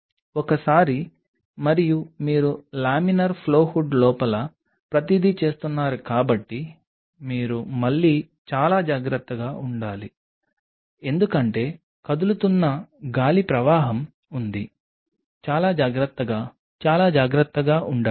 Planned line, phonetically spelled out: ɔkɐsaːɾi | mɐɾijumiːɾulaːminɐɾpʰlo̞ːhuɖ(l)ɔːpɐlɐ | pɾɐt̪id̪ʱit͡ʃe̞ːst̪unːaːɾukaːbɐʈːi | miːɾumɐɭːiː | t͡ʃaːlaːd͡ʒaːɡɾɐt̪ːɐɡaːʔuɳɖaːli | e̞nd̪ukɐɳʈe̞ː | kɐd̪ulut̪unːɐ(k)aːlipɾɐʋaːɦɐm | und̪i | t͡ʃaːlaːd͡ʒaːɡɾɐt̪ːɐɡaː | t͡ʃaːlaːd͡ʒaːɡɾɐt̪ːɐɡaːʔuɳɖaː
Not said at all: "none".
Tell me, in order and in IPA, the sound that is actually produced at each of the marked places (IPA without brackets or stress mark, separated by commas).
l, ɡ